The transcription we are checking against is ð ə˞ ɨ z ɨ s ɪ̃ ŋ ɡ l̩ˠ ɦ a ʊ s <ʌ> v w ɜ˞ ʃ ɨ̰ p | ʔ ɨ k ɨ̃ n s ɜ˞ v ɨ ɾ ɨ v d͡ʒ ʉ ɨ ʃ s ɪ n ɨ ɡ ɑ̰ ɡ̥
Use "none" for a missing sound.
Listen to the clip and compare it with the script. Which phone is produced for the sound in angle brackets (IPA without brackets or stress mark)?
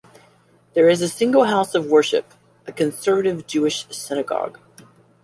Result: ʌ